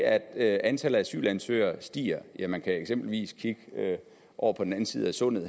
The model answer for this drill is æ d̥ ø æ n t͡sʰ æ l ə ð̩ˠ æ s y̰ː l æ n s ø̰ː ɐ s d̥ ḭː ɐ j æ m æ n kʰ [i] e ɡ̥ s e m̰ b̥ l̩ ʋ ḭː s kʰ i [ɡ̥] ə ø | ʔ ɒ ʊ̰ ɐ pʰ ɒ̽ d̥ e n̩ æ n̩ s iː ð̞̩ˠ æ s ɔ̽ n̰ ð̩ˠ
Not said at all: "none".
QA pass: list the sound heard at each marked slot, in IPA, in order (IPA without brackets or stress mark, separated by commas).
æ, ɡ̥